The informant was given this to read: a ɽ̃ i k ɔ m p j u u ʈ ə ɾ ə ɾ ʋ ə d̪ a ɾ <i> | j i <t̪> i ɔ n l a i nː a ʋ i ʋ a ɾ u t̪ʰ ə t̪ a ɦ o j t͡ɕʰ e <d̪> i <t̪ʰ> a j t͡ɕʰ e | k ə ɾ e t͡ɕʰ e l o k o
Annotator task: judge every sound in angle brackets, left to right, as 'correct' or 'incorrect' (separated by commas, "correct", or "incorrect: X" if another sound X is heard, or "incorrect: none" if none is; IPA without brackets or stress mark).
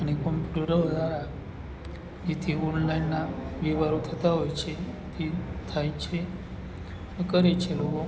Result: incorrect: a, incorrect: t̪ʰ, incorrect: t̪, correct